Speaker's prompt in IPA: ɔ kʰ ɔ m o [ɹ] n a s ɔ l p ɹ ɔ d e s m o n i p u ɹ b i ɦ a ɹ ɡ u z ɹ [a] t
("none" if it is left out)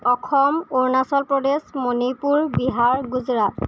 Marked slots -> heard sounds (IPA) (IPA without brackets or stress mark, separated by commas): ɹ, a